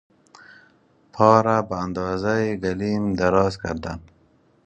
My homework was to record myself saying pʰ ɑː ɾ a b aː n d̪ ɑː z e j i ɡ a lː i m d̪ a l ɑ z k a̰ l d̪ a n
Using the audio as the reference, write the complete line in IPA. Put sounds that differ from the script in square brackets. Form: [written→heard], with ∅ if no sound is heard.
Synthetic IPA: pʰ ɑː ɾ a b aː n d̪ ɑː z [e→a] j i ɡ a [lː→l] i m d̪ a [l→ɾ] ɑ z k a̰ [l→ɾ] d̪ a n